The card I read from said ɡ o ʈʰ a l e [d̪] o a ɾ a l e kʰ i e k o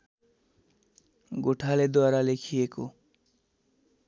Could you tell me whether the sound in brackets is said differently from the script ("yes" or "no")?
no